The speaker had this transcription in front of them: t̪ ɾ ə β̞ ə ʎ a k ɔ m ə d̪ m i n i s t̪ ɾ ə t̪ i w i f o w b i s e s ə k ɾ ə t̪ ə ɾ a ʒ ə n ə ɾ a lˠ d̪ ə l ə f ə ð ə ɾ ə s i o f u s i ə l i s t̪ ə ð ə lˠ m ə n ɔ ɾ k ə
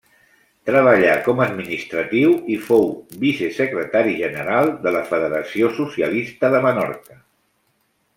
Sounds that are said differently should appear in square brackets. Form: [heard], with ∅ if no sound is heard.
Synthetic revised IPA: t̪ ɾ ə β̞ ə ʎ a k ɔ m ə d̪ m i n i s t̪ ɾ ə t̪ i w i f o w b i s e s ə k ɾ ə t̪ [a] ɾ [i] ʒ ə n ə ɾ a lˠ d̪ ə l ə f ə ð ə ɾ ə s i o [s] u s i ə l i s t̪ ə ð ə [∅] m ə n ɔ ɾ k ə